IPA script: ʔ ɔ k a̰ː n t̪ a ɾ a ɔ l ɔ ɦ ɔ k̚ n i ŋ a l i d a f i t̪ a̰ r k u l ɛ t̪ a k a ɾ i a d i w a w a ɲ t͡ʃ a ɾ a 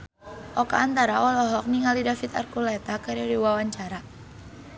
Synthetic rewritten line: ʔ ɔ k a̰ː n t̪ a ɾ a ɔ l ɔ ɦ ɔ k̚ n i ŋ a l i d a f i t̪ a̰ r k u l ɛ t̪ a k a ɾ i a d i w a w a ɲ t͡ʃ a ɾ a

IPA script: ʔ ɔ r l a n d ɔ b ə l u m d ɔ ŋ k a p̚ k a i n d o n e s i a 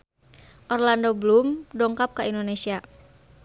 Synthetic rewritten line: ʔ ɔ r l a n d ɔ b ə l u m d ɔ ŋ k a p̚ k a i n d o n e s i a

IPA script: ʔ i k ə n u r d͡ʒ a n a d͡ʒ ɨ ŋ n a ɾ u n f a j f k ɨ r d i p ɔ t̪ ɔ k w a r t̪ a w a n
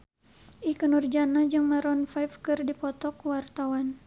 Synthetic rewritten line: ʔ i k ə n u r d͡ʒ a n a d͡ʒ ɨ ŋ m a ɾ ɔ n f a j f k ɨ r d i p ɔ t̪ ɔ k w a r t̪ a w a n

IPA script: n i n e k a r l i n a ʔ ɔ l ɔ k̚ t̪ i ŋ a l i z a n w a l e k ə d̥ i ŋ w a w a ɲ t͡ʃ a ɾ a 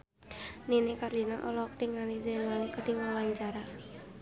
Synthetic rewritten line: n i n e k a r l i n a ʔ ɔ l ɔ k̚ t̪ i ŋ a l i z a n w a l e k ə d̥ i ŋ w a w a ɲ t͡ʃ a ɾ a

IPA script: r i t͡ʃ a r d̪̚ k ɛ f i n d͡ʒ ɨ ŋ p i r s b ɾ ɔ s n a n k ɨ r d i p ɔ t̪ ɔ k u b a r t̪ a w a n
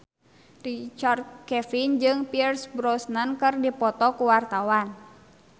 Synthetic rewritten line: r i t͡ʃ a r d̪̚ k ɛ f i n d͡ʒ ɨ ŋ p i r s b ɾ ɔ s n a n k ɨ r d i p ɔ t̪ ɔ k u w a r t̪ a w a n

